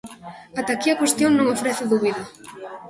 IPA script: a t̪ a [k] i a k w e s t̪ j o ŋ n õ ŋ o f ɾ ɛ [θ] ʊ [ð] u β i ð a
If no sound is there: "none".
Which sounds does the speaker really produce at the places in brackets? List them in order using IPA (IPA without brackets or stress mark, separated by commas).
k, θ, ð